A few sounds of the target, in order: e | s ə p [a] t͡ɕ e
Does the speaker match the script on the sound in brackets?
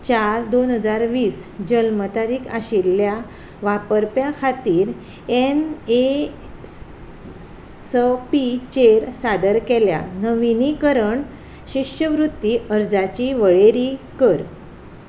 no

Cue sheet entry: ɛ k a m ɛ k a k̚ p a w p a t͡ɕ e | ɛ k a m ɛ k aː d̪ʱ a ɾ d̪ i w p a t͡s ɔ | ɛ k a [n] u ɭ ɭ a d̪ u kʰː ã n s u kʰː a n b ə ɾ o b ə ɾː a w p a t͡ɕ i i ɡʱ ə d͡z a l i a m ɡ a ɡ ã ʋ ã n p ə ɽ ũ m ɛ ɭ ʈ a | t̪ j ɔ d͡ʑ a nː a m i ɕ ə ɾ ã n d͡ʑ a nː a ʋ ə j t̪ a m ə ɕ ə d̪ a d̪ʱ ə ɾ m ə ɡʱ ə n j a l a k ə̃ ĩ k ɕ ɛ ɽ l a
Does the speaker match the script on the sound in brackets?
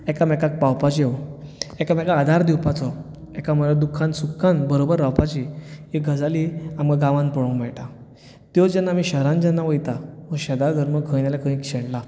no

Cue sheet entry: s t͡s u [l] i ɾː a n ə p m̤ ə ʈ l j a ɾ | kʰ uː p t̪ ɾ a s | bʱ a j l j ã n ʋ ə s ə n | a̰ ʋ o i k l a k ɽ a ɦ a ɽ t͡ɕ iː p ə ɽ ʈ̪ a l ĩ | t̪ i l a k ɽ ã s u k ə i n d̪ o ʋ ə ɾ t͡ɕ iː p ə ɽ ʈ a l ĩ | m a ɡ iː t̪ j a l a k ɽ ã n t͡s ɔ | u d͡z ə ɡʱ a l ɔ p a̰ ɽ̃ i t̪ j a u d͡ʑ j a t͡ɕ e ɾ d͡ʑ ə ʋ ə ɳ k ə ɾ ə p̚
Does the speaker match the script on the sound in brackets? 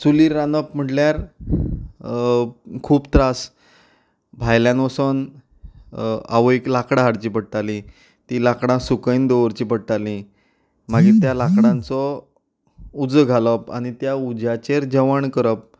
yes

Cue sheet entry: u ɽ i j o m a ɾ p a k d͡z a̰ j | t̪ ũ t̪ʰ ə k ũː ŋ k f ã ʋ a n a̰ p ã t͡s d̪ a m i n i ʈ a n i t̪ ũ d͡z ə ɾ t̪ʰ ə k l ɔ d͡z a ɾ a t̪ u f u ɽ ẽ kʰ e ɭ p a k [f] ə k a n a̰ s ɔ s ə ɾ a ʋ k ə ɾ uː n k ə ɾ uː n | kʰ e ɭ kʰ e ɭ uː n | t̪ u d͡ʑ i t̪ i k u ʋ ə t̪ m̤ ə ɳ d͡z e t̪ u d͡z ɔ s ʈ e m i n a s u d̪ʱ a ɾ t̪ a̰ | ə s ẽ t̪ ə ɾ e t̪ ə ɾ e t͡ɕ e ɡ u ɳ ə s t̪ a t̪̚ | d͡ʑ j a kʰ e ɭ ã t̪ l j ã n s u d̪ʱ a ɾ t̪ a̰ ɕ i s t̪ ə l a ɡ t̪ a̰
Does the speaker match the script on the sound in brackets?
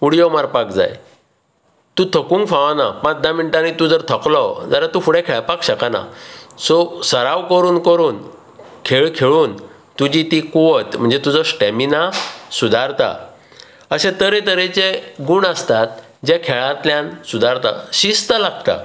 no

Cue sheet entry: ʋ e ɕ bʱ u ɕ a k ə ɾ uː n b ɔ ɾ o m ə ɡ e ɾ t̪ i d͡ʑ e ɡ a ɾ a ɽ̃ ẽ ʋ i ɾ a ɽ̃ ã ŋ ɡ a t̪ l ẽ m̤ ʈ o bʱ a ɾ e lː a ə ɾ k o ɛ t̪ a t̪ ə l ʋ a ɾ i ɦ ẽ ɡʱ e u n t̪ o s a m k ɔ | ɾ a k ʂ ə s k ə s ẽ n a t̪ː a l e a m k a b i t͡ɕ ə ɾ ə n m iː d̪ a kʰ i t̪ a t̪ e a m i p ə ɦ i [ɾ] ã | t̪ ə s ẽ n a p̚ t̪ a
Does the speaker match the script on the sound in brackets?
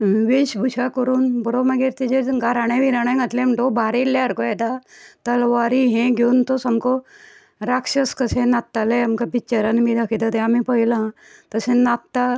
no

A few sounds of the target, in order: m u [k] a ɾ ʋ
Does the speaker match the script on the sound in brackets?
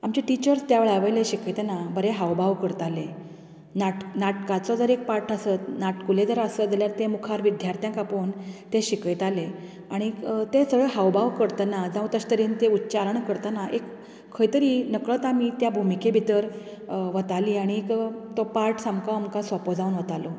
no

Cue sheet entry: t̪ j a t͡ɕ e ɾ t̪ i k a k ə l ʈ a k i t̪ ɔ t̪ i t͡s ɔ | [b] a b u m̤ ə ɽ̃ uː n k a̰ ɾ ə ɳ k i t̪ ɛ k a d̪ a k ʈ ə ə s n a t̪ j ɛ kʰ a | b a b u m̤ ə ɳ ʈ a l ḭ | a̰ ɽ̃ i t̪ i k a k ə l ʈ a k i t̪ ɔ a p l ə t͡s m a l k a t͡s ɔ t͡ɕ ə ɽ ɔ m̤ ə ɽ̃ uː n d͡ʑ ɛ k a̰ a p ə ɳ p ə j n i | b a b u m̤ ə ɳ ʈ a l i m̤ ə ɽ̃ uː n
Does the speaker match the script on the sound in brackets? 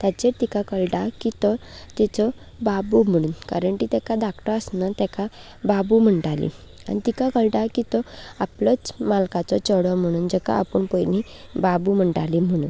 yes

